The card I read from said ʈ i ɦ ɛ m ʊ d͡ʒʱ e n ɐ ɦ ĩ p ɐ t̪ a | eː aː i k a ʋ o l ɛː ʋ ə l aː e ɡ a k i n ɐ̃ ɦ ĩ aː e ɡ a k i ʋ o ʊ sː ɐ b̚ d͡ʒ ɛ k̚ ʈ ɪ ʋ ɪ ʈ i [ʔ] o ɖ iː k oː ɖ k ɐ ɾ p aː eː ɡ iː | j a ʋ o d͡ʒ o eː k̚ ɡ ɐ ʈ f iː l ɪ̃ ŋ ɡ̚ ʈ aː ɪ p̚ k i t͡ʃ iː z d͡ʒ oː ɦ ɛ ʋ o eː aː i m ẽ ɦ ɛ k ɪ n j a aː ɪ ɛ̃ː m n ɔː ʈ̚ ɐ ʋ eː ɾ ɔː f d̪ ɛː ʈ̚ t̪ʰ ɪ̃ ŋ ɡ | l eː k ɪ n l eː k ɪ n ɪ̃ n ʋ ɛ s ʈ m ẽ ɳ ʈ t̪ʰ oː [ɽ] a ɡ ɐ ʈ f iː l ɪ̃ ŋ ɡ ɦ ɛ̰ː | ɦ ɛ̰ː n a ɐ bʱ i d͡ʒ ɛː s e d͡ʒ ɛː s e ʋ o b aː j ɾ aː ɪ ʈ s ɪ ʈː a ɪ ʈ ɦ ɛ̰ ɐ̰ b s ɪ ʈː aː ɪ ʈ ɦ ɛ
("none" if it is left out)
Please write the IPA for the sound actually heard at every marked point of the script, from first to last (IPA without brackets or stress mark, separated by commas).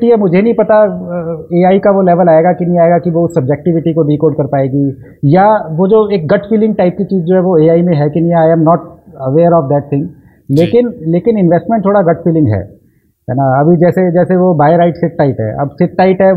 k, ɽ